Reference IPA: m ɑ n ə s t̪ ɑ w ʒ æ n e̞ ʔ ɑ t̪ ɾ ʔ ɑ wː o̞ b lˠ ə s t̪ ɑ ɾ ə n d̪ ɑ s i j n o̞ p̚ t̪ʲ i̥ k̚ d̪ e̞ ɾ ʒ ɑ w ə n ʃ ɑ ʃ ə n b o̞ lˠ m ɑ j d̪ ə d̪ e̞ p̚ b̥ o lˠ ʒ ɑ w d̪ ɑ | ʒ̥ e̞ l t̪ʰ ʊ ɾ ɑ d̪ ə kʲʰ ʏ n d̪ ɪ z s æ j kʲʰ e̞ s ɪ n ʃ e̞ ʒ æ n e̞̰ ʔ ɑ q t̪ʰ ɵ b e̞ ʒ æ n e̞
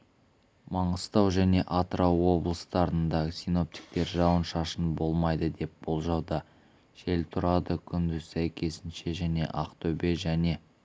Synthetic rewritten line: m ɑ ɴ ə s t̪ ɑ w ʒ æ n e̞ ʔ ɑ t̪ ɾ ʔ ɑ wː o̞ b lˠ ə s t̪ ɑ ɾ ə n d̪ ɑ s i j n o̞ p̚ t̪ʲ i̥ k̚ t̪ e̞ ɾ ʒ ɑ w ə n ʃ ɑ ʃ ə n b o̞ lˠ m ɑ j d̪ ə d̪ e̞ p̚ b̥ o lˠ ʒ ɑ w d̪ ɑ | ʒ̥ e̞ l t̪ʰ ʊ ɾ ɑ d̪ ə kʲʰ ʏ n d̪ ɪ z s æ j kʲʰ e̞ s ɪ n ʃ e̞ ʒ æ n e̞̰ ʔ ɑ q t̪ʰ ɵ b e̞ ʒ æ n e̞